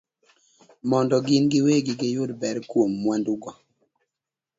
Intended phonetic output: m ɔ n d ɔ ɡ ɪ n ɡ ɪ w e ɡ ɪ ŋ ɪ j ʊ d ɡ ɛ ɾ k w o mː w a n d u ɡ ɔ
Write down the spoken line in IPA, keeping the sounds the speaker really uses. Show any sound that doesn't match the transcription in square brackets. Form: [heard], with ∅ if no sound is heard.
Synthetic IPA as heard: m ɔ n d ɔ ɡ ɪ n ɡ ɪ w e ɡ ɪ [ɡ] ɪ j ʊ d [b] ɛ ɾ k w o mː w a n d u ɡ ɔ